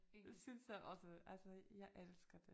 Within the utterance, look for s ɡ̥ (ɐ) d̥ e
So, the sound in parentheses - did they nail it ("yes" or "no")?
yes